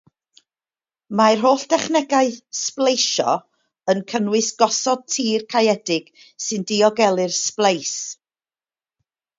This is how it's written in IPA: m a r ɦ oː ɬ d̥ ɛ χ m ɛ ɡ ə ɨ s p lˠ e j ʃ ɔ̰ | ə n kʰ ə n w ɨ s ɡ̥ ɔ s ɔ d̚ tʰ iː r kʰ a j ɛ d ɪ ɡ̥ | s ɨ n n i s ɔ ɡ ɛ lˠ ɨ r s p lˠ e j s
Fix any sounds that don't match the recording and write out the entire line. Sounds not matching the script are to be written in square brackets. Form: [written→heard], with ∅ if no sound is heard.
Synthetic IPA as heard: m a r ɦ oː ɬ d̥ ɛ χ [m→n] ɛ ɡ [ə→a] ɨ s p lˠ e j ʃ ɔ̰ | ə n kʰ ə n w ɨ s ɡ̥ ɔ s ɔ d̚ tʰ iː r kʰ a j ɛ d ɪ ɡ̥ | s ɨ n [n→d] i [s→∅] ɔ ɡ ɛ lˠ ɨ r s p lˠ e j s